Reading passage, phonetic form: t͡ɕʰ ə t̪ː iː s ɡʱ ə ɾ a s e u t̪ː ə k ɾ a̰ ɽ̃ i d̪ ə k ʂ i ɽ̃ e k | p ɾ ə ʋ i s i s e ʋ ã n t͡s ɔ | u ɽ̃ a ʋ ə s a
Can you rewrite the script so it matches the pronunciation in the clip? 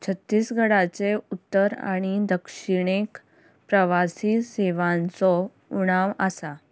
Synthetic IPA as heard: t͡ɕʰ ə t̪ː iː s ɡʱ ə ɽ a t͡s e u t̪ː ə ɾ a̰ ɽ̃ i d̪ ə k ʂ i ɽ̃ e k | p ɾ ə ʋ a s i s e ʋ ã n t͡s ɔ | u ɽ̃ a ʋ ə s a